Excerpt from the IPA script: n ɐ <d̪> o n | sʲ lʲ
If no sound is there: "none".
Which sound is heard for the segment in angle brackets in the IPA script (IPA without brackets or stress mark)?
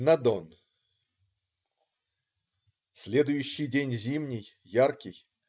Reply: d̪